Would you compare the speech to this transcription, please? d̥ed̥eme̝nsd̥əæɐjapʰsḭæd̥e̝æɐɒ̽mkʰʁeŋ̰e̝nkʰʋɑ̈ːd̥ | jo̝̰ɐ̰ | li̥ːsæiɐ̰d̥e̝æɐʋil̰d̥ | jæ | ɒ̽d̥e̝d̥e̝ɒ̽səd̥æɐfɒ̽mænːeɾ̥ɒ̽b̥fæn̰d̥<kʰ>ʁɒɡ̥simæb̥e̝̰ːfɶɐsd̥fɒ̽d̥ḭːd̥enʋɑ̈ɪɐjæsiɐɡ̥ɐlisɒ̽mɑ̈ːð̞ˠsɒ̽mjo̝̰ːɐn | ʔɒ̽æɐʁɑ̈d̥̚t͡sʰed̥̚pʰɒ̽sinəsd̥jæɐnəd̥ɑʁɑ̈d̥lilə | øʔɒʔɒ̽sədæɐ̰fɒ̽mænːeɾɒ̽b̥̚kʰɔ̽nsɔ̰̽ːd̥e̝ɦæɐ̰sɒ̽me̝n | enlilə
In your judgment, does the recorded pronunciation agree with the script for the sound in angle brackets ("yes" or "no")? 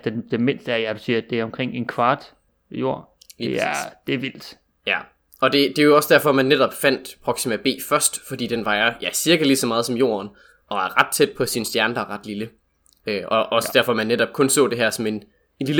no